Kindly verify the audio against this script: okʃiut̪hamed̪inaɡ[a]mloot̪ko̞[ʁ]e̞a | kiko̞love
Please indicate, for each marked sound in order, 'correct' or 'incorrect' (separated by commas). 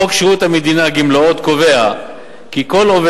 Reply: incorrect, incorrect